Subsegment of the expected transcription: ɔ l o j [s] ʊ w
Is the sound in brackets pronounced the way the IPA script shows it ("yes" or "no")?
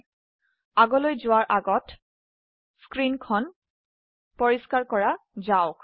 no